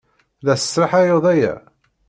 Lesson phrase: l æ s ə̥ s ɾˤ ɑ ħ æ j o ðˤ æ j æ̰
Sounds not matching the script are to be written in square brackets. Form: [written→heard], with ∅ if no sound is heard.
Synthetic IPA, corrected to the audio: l æ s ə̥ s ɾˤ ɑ ħ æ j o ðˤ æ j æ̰